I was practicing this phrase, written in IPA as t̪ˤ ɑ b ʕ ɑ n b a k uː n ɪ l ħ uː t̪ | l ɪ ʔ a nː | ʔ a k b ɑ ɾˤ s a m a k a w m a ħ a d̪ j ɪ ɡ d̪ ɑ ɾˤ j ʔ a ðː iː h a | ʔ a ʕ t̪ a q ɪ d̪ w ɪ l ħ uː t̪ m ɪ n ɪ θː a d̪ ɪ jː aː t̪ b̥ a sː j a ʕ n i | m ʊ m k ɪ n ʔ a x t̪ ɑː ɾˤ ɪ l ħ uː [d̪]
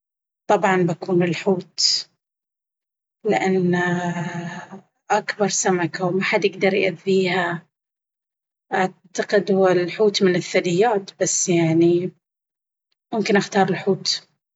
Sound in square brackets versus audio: incorrect: t̪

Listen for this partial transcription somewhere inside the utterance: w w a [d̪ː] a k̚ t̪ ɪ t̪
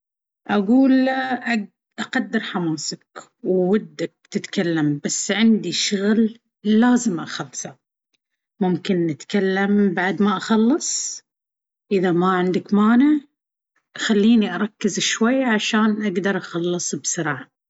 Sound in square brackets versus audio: correct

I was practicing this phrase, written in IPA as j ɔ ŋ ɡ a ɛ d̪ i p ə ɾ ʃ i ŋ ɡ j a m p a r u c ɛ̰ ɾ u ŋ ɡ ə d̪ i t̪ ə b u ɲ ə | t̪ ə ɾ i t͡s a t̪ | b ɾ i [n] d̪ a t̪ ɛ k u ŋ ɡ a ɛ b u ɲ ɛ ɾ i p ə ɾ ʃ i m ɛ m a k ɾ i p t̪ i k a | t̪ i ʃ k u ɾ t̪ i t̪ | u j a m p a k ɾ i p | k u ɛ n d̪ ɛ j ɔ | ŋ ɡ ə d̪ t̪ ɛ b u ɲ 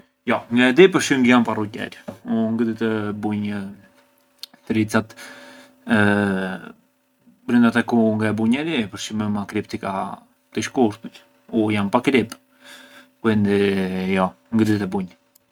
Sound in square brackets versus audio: correct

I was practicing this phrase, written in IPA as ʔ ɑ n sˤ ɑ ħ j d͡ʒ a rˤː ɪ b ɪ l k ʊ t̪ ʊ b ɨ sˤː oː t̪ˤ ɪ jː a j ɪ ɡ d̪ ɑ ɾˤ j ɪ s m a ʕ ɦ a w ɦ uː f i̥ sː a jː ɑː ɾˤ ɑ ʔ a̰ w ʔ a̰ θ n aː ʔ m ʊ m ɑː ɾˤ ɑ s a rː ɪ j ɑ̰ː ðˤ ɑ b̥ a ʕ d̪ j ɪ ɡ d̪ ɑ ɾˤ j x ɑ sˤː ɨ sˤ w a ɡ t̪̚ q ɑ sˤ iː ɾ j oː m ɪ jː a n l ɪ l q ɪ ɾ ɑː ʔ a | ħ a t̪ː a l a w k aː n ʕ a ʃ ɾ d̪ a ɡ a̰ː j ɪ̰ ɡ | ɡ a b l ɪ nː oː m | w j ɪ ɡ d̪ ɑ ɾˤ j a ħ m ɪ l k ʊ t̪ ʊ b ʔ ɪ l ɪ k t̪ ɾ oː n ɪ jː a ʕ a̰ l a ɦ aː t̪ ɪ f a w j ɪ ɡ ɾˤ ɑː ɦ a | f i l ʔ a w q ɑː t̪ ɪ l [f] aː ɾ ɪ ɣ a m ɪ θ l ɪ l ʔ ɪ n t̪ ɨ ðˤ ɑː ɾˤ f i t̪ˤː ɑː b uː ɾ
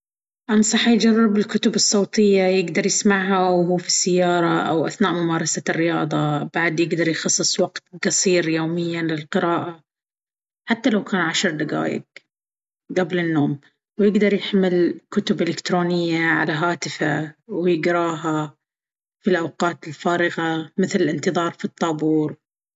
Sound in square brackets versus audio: correct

